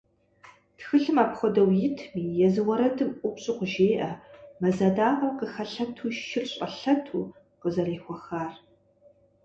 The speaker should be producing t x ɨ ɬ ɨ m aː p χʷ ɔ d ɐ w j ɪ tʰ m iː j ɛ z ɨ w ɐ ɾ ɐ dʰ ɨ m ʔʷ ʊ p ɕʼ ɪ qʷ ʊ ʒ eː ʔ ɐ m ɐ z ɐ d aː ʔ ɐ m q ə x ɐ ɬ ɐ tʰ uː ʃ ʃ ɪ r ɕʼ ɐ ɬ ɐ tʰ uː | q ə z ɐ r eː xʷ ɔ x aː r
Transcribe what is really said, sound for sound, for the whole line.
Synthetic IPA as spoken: t x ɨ ɬ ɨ m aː p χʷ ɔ d ɐ w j ɪ tʰ m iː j ɛ z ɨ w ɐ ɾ ɐ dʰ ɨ m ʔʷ ʊ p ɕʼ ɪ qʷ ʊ ʒ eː ʔ ɐ m ɐ z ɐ d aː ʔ ɐ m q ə x ɐ ɬ ɐ tʰ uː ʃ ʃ ɪ r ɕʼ ɐ ɬ ɐ tʰ uː | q ə z ɐ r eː xʷ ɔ x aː r